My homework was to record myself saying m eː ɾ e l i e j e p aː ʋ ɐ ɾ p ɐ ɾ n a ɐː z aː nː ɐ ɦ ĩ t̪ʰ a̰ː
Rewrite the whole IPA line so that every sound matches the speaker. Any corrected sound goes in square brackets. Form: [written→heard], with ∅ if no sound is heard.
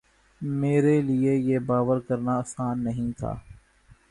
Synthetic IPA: m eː ɾ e l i e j e [p→b] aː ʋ [ɐ→ə] ɾ [p→k] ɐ ɾ n a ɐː [z→s] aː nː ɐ ɦ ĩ t̪ʰ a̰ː